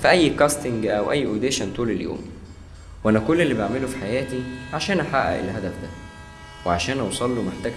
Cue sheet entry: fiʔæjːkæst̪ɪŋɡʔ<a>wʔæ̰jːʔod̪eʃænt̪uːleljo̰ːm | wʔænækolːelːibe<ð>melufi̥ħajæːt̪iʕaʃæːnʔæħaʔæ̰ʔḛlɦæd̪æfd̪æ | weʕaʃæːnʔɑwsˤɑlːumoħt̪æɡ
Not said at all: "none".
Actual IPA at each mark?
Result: æ, ʕ

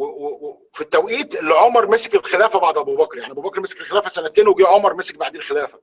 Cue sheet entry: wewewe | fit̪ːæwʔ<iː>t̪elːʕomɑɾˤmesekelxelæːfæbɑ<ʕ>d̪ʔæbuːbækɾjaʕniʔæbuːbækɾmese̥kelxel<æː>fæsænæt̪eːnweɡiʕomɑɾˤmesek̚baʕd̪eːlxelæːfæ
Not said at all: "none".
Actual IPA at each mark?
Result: iː, ʕ, æː

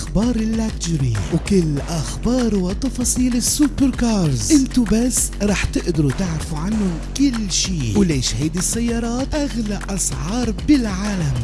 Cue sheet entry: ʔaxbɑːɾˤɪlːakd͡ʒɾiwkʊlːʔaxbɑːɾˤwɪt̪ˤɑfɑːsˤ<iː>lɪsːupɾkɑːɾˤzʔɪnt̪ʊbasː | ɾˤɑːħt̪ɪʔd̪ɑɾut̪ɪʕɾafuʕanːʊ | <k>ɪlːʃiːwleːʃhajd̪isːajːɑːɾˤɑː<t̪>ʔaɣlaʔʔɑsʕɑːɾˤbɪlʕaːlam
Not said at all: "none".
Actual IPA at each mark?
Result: iː, k, t̪

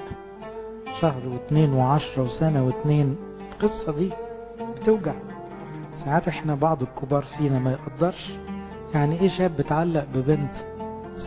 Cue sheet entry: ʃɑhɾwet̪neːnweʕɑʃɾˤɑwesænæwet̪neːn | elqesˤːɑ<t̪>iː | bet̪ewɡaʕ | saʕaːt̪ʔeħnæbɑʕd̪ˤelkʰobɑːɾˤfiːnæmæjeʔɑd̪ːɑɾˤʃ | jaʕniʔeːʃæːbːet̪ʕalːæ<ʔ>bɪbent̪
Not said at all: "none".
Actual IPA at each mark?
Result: d̪, ʔ

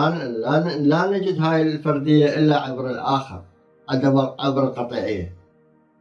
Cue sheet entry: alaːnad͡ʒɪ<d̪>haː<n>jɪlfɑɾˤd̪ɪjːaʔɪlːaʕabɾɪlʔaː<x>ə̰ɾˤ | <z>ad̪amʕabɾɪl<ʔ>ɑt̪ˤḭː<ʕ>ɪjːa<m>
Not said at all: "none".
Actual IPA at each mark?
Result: d̪, none, x, ʕ, q, ʕ, none

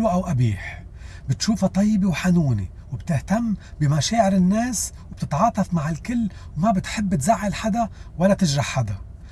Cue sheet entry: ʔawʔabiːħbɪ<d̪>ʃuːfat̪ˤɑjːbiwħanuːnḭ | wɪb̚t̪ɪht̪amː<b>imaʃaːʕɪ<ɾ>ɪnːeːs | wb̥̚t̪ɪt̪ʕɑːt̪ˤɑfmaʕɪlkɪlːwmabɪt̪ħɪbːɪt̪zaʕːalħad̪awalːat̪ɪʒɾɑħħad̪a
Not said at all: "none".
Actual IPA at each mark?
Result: t̪, b, ɾ

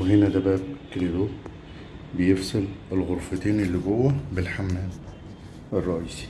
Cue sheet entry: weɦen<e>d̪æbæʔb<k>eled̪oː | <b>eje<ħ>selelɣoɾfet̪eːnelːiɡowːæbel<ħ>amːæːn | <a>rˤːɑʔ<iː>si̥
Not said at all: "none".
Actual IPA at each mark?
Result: æ, k, b, f, ħ, e, iː

